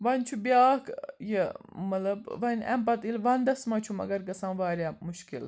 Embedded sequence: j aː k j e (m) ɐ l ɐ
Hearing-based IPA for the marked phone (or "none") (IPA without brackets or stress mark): m